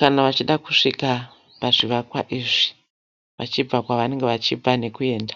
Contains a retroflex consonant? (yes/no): yes